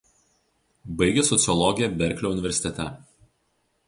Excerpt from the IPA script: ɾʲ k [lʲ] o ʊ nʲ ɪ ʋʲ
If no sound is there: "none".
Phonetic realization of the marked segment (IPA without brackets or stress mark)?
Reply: lʲ